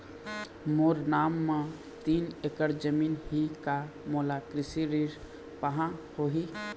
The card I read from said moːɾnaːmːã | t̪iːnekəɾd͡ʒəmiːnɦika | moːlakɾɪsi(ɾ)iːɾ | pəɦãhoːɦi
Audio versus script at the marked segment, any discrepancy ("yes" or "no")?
no